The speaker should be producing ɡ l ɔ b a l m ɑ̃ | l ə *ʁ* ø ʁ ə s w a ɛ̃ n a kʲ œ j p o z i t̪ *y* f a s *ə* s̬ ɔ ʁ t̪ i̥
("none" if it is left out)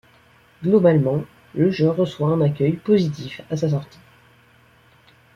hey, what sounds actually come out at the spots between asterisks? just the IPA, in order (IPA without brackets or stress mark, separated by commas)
ʒ, i, a